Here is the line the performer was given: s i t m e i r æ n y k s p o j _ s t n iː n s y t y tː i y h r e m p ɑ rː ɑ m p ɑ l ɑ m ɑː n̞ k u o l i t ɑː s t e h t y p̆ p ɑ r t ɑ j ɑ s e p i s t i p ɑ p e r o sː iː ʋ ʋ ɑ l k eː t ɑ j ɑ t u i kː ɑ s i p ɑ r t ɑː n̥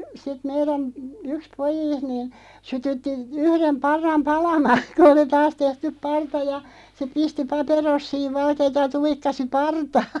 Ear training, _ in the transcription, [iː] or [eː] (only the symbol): iː